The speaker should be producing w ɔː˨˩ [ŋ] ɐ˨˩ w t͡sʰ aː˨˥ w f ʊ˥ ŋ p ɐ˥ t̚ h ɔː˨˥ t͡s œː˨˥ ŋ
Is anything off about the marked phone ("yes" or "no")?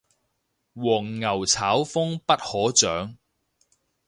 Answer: yes